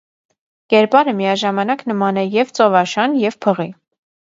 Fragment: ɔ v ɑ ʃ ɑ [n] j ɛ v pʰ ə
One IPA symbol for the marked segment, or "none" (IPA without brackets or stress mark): n